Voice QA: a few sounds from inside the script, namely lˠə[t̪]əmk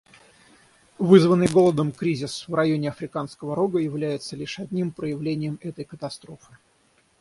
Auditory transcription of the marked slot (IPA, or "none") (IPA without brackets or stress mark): d̪